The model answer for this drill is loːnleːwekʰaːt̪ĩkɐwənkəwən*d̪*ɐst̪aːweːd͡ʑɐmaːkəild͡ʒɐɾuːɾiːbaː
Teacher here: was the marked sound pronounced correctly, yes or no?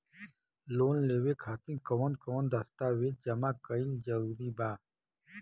yes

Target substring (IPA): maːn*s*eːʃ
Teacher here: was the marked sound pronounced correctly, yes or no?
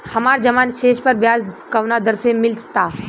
no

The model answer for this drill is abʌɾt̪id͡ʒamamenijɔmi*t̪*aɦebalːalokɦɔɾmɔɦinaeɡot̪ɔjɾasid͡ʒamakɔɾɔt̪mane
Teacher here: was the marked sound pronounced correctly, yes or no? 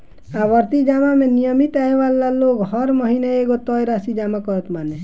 yes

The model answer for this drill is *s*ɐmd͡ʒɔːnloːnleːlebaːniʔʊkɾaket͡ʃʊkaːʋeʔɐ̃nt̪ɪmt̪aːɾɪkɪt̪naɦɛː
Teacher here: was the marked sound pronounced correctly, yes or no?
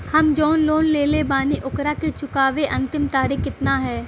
no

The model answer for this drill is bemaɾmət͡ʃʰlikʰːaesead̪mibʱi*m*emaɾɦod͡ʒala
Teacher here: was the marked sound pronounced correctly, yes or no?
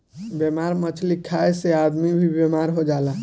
no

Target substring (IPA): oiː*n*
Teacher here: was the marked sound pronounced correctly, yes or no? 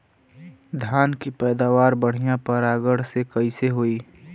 no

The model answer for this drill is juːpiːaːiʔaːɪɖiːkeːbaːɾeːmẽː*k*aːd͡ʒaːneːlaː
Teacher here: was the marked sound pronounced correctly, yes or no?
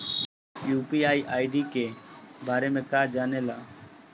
yes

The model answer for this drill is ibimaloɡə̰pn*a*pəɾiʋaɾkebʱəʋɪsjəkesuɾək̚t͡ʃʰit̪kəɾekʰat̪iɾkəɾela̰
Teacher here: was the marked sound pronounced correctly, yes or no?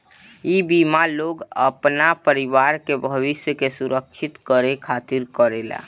yes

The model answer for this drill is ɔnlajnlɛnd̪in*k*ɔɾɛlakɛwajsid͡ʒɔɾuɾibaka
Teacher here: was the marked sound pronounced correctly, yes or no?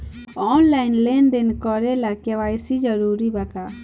yes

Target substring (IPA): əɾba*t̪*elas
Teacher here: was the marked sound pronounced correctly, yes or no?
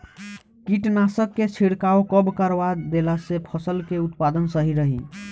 no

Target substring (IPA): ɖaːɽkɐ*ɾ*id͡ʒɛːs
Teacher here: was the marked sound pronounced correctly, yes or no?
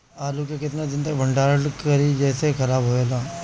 yes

